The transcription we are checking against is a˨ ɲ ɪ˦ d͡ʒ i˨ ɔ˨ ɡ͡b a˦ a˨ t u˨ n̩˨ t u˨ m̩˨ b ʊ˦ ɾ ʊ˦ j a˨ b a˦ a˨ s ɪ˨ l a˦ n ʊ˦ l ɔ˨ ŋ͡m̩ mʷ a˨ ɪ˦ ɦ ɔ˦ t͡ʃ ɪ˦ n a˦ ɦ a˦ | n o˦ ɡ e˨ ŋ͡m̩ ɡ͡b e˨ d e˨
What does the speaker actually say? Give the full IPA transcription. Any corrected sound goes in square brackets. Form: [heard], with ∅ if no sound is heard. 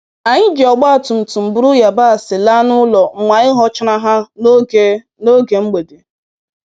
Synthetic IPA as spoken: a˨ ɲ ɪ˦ d͡ʒ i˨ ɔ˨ ɡ͡b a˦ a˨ t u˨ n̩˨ t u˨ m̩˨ b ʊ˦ ɾ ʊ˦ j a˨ b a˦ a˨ s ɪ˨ l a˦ n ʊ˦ l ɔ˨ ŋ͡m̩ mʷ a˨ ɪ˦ ɦ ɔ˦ t͡ʃ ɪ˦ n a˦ ɦ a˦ | n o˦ ɡ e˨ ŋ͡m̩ ɡ͡b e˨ d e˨